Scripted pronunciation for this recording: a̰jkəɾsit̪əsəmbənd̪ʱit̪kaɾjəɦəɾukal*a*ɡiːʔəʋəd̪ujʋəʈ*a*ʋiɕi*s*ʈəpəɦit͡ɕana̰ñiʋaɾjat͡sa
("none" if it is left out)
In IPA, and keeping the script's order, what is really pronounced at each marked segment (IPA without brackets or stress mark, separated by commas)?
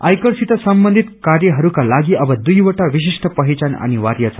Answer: a, a, ʂ